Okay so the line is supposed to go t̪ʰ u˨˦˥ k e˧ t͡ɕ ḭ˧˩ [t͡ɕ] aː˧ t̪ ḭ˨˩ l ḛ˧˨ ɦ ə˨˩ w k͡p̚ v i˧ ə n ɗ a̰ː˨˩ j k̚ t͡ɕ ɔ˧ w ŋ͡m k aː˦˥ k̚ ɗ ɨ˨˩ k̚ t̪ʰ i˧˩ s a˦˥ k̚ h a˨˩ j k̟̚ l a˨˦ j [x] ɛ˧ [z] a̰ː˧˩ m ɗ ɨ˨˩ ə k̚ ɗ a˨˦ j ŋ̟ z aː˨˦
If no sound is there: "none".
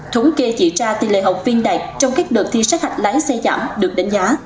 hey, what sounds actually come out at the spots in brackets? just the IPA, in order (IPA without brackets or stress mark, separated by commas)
t͡ɕ, s, z